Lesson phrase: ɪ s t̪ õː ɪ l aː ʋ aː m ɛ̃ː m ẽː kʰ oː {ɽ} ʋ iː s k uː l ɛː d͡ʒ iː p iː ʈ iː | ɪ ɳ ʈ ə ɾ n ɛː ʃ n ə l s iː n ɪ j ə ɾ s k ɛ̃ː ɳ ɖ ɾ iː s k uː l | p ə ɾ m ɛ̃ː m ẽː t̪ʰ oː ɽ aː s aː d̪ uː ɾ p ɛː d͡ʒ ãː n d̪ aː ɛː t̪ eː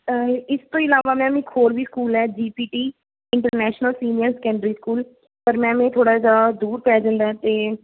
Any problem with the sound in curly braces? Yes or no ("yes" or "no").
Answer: yes